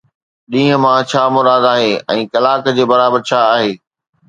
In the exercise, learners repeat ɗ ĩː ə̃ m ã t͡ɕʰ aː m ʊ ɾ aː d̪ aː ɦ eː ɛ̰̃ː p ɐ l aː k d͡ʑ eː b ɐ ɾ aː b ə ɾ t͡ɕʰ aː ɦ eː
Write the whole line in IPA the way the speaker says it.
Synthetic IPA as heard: ɗ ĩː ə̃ m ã t͡ɕʰ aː m ʊ ɾ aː d̪ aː ɦ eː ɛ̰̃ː k ɐ l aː k d͡ʑ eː b ɐ ɾ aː b ə ɾ t͡ɕʰ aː ɦ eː